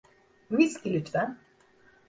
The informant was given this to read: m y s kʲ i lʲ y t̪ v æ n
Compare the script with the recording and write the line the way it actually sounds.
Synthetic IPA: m i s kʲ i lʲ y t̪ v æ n